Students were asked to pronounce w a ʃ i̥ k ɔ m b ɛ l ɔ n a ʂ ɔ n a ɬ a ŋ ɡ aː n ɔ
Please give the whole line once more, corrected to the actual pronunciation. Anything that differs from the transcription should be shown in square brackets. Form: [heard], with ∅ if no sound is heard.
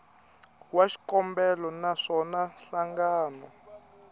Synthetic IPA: w a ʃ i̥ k ɔ m b ɛ l ɔ n a ʂ ɔ n a ɬ a ŋ ɡ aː n ɔ